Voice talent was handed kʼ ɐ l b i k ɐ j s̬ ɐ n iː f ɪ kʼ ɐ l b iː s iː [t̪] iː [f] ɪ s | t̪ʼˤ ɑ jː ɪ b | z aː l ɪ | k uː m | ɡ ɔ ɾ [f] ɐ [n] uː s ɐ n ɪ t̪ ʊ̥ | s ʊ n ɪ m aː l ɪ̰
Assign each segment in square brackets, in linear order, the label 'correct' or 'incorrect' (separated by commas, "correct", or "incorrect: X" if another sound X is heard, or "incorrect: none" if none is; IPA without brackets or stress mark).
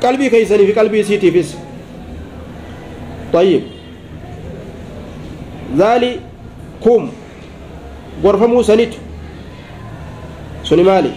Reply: correct, correct, correct, incorrect: m